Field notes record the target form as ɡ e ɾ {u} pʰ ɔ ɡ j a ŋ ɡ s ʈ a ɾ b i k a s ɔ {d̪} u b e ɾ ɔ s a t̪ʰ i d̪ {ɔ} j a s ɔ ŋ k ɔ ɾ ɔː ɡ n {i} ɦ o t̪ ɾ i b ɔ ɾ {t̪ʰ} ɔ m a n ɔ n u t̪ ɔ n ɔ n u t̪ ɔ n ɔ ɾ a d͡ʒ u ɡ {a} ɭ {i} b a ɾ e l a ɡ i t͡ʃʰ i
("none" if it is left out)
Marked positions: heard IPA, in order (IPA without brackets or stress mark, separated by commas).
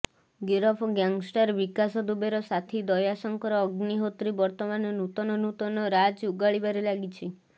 ɔ, d̪, ɔ, i, t̪, a, i